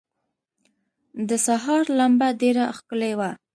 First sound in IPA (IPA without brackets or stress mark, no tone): d̪